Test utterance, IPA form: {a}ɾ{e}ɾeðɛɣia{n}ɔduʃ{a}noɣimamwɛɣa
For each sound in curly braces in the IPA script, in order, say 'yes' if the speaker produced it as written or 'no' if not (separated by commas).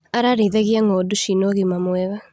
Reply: yes, no, no, no